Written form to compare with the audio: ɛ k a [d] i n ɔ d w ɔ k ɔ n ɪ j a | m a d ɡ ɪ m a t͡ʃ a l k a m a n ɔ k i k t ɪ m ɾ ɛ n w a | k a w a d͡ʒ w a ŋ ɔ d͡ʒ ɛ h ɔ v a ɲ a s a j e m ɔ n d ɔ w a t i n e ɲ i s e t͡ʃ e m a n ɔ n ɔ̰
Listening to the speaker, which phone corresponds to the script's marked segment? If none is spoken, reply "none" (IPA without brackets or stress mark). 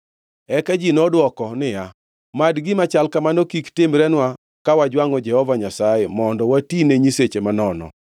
d͡ʒ